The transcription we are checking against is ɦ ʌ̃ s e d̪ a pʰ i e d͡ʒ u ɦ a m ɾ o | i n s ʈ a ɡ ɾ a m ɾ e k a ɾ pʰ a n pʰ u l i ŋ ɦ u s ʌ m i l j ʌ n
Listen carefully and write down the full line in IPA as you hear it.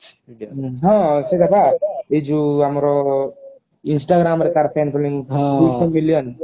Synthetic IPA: ɦ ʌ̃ s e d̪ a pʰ a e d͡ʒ u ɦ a m ɾ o | i n s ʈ a ɡ ɾ a m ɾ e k a ɾ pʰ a n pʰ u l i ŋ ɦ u s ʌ m i l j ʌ n